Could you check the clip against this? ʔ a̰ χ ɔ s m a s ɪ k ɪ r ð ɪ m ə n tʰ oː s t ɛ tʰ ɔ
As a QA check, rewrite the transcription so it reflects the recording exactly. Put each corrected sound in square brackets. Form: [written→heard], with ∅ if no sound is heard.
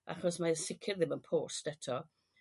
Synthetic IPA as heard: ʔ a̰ χ ɔ s m a s ɪ [k→kʰ] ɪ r ð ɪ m ə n [tʰ→pʰ] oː s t ɛ tʰ ɔ